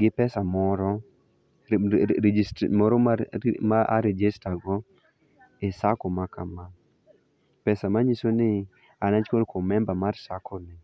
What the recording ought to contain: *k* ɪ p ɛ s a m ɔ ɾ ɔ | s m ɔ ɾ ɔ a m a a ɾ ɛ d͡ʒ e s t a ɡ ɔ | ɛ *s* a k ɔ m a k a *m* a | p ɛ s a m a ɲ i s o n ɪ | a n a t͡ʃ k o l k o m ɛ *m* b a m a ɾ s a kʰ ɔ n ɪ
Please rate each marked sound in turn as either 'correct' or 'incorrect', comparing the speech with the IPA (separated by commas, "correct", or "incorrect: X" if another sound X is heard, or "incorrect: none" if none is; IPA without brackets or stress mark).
incorrect: ɡ, correct, correct, correct